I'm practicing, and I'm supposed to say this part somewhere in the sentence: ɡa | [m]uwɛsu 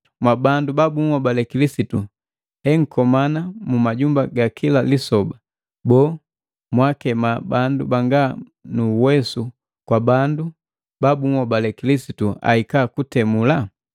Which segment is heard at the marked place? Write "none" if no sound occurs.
n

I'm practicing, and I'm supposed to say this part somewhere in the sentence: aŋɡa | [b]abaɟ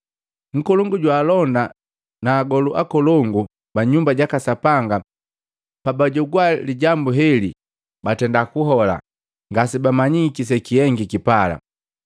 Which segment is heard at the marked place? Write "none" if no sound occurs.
p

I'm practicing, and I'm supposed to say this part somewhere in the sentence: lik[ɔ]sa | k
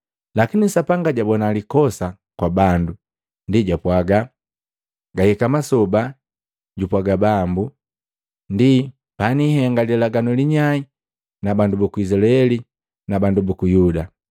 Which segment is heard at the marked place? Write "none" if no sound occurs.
ɔ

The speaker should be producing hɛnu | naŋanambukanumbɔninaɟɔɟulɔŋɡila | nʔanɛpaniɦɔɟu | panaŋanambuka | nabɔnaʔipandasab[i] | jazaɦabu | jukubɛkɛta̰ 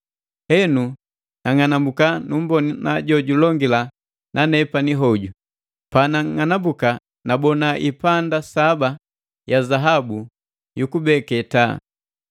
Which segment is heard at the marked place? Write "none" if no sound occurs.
a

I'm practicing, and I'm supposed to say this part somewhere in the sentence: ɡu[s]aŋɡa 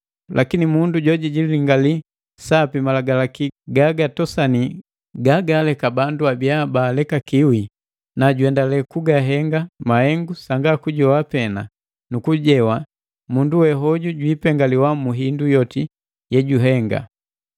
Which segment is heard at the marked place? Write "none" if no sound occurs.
s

